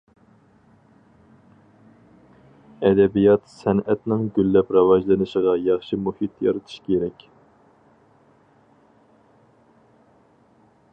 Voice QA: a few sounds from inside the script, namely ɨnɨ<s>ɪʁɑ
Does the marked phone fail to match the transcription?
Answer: yes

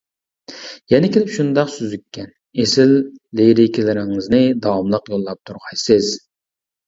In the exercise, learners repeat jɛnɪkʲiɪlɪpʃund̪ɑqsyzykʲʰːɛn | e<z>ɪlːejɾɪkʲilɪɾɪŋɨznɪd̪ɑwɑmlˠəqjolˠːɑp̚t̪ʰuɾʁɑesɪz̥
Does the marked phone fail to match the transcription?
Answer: yes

